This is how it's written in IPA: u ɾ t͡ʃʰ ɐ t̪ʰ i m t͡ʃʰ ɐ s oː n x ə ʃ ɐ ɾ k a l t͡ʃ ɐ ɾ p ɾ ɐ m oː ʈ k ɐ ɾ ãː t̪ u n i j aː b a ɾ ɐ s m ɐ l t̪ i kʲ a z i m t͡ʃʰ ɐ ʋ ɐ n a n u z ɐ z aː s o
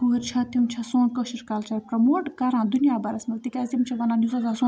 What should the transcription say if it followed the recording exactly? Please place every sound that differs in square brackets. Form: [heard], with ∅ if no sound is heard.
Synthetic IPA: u ɾ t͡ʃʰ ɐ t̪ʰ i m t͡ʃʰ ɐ s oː n [k] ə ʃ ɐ ɾ k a l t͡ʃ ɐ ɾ p ɾ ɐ m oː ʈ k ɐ ɾ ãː [d̪] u n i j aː b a ɾ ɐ s m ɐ l t̪ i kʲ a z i m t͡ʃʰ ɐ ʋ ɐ n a n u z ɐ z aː s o